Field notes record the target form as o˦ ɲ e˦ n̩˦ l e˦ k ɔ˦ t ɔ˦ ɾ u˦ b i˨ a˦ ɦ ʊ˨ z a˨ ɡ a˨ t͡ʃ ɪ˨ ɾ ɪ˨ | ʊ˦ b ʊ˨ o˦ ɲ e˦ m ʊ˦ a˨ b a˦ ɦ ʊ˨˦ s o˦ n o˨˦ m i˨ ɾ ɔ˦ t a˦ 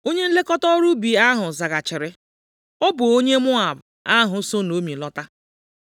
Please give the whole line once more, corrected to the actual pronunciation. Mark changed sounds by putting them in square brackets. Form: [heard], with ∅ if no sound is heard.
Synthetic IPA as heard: o˦ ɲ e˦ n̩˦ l e˦ k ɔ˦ t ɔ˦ ɾ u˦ b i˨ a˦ ɦ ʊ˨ z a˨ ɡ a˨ t͡ʃ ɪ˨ ɾ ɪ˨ | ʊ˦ b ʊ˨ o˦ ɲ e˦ m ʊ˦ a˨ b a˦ ɦ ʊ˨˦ s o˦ n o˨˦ m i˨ [l] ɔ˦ t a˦